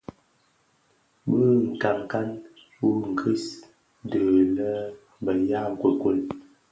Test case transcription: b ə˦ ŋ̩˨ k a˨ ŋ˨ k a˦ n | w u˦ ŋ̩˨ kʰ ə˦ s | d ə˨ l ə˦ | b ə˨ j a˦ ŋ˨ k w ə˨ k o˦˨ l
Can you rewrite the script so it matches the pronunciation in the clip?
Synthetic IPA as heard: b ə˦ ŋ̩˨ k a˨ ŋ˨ k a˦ n | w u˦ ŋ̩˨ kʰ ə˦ s | d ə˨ l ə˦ | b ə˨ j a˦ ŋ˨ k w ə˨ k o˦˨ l